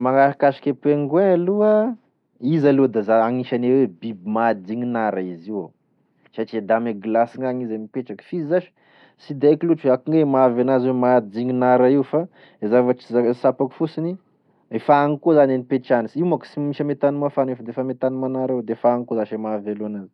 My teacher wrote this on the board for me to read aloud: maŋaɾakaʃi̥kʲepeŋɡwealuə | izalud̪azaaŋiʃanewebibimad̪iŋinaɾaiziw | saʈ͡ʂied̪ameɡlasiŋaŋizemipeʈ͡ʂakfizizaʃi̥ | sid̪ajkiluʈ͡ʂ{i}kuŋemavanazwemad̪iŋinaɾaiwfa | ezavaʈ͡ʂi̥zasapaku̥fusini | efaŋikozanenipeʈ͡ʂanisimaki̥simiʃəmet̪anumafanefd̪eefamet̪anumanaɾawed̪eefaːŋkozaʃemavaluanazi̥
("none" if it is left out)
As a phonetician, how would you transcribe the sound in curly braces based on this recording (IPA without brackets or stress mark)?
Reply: a